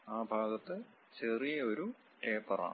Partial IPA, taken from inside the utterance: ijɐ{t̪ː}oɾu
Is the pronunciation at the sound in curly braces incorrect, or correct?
incorrect